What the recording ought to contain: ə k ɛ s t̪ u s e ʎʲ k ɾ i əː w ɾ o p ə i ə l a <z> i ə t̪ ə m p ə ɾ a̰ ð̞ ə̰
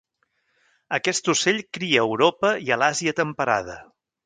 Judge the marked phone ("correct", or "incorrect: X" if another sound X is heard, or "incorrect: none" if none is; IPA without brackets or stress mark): correct